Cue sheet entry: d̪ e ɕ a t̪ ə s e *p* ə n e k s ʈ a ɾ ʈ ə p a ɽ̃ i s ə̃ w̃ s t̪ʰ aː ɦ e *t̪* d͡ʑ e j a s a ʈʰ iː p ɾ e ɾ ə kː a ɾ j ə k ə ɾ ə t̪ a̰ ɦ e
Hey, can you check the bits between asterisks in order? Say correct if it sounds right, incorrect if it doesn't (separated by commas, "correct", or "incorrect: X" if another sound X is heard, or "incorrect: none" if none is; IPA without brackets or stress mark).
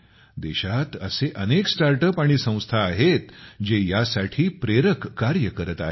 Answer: incorrect: ʔ, correct